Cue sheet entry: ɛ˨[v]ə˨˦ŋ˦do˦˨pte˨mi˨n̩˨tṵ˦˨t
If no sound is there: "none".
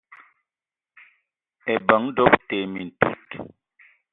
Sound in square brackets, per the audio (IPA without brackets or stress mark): b